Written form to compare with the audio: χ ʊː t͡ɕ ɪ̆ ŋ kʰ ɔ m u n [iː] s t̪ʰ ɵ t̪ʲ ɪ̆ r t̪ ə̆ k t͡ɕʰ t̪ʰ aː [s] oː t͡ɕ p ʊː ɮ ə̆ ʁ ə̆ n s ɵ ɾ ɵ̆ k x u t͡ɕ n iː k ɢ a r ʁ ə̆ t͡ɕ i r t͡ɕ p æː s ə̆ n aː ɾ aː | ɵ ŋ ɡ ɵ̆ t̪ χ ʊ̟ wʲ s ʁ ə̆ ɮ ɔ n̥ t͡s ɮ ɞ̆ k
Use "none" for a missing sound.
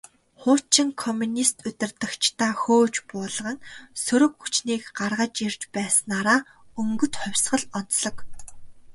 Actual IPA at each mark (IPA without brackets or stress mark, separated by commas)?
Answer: i, x